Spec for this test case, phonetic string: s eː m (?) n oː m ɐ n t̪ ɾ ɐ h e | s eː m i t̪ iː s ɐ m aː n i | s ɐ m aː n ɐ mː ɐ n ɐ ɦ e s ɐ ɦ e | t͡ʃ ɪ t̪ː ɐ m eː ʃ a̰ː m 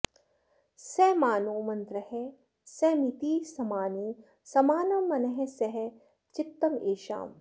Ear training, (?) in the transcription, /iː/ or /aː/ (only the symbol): aː